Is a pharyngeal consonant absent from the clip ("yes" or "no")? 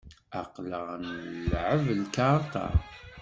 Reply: no